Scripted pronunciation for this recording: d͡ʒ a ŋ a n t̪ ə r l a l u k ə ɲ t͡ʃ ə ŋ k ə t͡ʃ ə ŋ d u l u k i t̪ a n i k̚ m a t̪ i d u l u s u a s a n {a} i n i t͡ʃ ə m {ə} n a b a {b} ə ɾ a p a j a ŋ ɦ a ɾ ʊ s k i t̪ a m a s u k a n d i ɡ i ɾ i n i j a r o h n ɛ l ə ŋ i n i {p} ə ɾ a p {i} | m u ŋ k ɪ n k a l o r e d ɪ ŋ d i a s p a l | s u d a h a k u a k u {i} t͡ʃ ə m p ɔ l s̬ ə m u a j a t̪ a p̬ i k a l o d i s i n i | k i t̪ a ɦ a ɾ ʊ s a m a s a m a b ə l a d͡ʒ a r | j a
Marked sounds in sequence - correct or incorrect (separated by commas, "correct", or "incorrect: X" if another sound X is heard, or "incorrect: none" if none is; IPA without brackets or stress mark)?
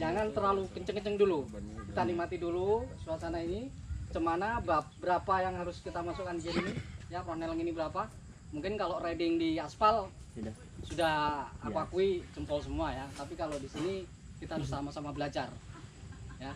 correct, incorrect: a, correct, incorrect: b, incorrect: a, correct